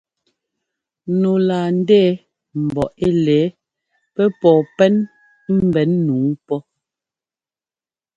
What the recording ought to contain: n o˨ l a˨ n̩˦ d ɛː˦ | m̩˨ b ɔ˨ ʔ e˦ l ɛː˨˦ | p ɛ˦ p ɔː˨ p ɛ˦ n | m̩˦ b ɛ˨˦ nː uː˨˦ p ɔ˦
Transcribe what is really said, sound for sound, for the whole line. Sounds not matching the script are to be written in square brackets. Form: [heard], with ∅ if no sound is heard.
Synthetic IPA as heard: n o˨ l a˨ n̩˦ d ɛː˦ | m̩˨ b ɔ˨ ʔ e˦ l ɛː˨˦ | p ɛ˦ p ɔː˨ p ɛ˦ n | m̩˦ b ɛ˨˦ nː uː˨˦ p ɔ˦